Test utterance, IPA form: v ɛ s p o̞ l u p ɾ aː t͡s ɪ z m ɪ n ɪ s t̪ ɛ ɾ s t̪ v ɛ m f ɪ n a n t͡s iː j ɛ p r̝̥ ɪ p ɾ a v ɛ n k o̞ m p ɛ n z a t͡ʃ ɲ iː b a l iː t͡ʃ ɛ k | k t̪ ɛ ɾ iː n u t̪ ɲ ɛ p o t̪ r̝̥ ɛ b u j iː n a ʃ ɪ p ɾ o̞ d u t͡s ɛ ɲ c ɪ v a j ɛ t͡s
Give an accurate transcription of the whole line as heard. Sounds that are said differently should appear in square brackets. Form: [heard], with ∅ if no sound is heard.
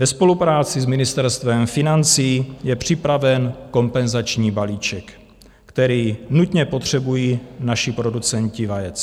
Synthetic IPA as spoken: v ɛ s p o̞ l u p ɾ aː t͡s ɪ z m ɪ n ɪ s t̪ ɛ ɾ s t̪ v ɛ m f ɪ n a n t͡s iː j ɛ p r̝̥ ɪ p ɾ a v ɛ n k o̞ m p ɛ n z a t͡ʃ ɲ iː b a l iː t͡ʃ ɛ k | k t̪ ɛ ɾ iː n u t̪ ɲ ɛ p o t̪ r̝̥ ɛ b u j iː n a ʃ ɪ p ɾ o̞ d u t͡s ɛ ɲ c ɪ v a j ɛ t͡s